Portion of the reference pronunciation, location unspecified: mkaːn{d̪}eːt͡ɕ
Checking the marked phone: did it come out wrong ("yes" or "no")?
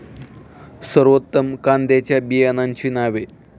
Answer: no